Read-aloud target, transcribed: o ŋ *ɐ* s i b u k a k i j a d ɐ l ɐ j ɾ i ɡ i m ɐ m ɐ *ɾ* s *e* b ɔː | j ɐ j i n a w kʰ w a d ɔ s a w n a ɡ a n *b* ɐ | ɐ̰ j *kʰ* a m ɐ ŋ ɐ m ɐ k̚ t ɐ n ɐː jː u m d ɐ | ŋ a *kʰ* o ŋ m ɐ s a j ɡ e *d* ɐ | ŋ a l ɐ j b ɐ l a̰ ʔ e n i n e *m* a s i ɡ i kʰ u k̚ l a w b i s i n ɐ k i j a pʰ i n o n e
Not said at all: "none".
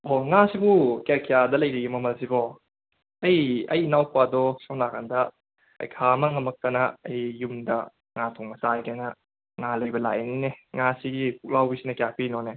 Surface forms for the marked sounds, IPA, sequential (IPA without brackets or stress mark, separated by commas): a, l, i, d, kʰ, tʰ, n, ŋ